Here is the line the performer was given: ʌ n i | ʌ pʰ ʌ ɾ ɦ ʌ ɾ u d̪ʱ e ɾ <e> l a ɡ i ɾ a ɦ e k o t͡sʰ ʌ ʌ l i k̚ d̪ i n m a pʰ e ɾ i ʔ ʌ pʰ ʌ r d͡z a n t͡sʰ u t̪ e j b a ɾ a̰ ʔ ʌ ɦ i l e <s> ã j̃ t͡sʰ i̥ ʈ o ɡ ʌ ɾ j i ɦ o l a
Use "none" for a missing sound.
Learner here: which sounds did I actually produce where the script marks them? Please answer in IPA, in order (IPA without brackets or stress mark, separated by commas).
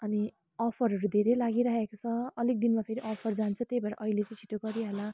e, t͡s